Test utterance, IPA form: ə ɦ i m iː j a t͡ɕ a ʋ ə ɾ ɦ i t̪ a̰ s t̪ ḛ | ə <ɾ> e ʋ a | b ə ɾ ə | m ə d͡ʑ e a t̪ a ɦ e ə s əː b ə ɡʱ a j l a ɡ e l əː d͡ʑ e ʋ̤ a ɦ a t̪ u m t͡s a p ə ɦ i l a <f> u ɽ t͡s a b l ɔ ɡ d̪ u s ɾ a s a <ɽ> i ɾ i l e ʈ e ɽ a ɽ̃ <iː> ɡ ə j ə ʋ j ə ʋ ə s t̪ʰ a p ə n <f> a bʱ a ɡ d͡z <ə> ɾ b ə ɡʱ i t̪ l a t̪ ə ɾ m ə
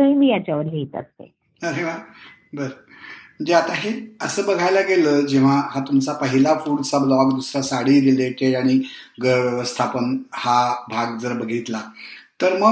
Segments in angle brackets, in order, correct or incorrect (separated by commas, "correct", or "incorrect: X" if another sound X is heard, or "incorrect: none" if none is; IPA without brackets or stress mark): correct, correct, correct, incorrect: i, incorrect: h, correct